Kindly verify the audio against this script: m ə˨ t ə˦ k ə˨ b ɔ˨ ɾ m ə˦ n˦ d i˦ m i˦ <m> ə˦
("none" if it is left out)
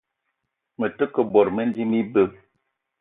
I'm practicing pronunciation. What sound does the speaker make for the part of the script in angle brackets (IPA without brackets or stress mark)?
b